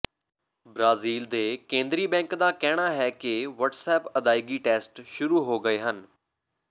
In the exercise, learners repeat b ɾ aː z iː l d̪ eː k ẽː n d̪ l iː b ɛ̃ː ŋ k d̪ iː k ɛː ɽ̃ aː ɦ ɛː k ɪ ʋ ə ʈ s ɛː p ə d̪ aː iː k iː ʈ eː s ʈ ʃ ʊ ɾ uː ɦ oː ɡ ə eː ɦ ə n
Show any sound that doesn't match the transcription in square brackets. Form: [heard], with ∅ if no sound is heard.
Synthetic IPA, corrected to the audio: b ɾ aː z iː l d̪ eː k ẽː n d̪ [ɾ] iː b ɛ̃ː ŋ k d̪ [aː] k ɛː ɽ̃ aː ɦ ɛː k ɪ ʋ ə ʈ s ɛː p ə d̪ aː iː [ɡ] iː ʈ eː s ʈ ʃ ʊ ɾ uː ɦ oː ɡ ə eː ɦ ə n